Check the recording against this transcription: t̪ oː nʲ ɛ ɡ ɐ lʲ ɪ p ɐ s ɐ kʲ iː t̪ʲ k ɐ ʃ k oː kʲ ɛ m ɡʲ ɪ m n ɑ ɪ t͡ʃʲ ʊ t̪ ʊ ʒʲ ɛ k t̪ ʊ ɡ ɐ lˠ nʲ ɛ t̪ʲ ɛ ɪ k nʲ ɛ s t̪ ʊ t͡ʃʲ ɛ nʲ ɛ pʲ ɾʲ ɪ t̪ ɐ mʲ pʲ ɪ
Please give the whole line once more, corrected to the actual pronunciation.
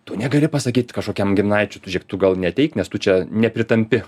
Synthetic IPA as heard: t̪ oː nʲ ɛ ɡ ɐ lʲ ɪ p ɐ s ɐ kʲ iː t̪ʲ k ɐ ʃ k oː kʲ ɛ m ɡʲ ɪ m n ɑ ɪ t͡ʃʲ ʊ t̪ ʊ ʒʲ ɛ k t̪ ʊ ɡ ɐ lˠ nʲ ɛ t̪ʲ ɛ ɪ k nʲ ɛ s t̪ ʊ t͡ʃʲ ɛ nʲ ɛ pʲ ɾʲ ɪ t̪ ɐ mʲ pʲ ɪ